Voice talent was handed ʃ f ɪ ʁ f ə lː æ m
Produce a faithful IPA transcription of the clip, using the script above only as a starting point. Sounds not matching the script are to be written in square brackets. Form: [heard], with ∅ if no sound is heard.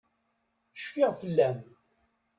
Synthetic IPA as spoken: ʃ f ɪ ʁ f ə lː æ m